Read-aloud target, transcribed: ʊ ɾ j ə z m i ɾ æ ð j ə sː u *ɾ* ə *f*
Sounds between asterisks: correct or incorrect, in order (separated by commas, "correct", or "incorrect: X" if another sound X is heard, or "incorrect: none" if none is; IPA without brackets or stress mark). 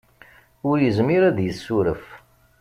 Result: correct, correct